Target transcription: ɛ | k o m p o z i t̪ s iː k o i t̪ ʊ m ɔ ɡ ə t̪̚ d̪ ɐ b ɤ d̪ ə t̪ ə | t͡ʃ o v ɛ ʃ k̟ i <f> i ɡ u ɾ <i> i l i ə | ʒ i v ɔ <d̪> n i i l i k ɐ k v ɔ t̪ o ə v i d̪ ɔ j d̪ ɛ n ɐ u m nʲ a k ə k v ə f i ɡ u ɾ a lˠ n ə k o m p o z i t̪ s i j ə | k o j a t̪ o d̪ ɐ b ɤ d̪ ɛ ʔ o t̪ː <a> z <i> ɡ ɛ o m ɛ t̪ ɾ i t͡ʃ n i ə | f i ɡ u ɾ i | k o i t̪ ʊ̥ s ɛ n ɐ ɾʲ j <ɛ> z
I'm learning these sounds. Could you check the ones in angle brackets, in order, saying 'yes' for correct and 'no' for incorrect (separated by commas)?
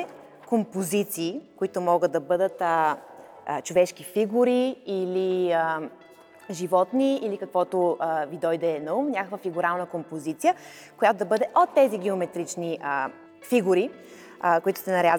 yes, yes, no, no, yes, no